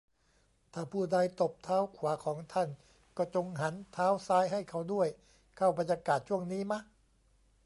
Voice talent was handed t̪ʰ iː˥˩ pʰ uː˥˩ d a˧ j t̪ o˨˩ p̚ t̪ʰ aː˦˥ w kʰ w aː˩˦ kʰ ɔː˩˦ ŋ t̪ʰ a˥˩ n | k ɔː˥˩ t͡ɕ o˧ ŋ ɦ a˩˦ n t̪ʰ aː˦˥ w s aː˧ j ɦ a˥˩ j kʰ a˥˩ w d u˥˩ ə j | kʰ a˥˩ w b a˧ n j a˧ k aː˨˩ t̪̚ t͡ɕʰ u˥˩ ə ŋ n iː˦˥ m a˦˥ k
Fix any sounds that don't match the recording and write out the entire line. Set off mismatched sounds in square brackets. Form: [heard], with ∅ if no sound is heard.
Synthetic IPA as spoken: t̪ʰ [aː˥˩] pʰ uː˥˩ d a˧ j t̪ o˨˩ p̚ t̪ʰ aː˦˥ w kʰ w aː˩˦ kʰ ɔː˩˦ ŋ t̪ʰ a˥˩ n | k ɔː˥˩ t͡ɕ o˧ ŋ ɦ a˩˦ n t̪ʰ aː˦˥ w s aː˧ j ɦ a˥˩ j kʰ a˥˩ w d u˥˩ ə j | kʰ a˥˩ w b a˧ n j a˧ k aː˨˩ t̪̚ t͡ɕʰ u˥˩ ə ŋ n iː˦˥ m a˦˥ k